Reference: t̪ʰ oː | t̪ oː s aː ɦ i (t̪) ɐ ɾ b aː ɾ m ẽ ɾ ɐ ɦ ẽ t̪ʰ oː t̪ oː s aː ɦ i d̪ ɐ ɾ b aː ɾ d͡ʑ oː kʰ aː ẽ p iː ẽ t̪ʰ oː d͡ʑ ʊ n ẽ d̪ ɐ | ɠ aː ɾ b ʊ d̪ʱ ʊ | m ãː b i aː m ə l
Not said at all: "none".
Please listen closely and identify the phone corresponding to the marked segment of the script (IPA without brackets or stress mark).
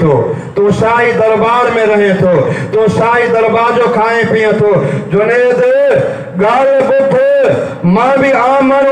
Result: d̪